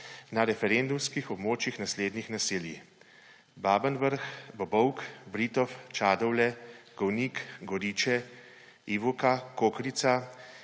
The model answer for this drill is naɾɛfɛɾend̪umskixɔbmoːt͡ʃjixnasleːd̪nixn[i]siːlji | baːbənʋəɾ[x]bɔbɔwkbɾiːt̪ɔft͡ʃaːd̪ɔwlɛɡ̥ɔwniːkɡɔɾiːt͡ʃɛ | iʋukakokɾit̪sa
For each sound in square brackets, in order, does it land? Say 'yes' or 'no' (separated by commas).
no, yes